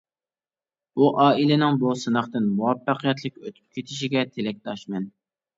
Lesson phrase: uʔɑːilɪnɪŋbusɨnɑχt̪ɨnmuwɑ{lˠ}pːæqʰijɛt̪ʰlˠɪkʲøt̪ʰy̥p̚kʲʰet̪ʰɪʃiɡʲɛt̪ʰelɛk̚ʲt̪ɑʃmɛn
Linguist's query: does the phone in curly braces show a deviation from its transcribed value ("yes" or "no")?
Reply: yes